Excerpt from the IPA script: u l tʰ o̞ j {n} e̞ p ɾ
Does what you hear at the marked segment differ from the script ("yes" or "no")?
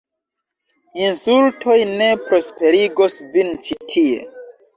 no